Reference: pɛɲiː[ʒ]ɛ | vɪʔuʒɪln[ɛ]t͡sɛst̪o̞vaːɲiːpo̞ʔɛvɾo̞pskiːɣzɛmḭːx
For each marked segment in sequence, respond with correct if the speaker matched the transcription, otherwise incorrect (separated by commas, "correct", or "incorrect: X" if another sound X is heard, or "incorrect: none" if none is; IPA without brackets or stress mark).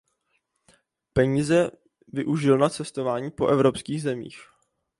incorrect: z, incorrect: a